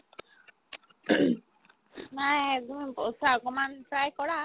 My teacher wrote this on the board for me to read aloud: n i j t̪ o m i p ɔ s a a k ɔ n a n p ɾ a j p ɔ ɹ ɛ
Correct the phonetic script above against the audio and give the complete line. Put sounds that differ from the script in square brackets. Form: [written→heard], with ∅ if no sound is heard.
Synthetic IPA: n [i→a] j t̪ [o→u] m i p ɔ s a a k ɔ [n→m] a n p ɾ a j [p→k] ɔ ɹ [ɛ→a]